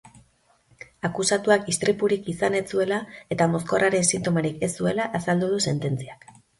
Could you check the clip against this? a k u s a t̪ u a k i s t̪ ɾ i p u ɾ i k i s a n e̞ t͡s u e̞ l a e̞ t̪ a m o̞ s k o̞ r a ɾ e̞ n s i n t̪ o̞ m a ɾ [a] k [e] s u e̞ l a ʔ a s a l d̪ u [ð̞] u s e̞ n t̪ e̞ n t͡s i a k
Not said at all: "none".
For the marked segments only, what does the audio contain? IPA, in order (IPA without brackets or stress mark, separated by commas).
i, e, ð̞